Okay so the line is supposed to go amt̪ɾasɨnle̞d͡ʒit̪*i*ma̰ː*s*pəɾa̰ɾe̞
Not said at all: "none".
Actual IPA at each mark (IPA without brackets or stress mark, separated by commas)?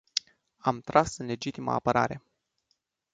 i, none